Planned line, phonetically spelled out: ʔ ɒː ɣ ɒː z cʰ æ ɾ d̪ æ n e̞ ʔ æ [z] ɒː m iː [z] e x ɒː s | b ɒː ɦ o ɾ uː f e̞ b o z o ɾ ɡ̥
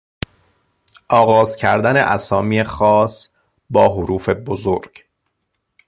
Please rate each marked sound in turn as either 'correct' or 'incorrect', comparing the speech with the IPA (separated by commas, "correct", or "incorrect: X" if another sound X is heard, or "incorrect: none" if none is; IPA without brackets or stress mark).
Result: incorrect: s, incorrect: none